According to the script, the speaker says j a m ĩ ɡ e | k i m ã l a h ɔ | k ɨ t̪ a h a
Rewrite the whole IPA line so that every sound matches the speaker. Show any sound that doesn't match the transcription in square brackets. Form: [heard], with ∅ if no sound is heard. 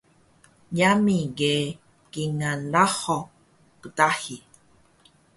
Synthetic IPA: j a m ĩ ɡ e | k i [ŋ] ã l a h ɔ | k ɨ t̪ a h [i]